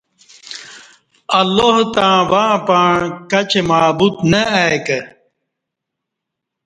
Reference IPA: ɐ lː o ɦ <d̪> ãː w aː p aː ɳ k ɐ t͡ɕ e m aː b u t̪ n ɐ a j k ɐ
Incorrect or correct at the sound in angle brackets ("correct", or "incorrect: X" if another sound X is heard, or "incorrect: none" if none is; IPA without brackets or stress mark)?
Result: incorrect: t̪